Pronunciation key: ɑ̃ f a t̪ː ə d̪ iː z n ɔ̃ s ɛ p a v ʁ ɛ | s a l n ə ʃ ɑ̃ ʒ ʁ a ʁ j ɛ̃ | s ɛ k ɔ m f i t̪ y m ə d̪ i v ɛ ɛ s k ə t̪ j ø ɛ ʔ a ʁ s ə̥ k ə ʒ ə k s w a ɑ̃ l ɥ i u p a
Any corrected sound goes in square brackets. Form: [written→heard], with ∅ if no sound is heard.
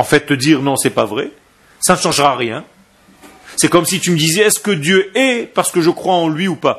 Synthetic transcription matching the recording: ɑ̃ f [a→ɛ] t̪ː ə d̪ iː [z→ʁ] n ɔ̃ s ɛ p a v ʁ ɛ | s a [l→∅] n ə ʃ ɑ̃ ʒ ʁ a ʁ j ɛ̃ | s ɛ k ɔ m [f→s] i t̪ y m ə d̪ i [v→z] ɛ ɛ s k ə [t̪→d̪] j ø ɛ [ʔ→p] a ʁ s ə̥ k ə ʒ ə k [s→χ] w a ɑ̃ l ɥ i u p a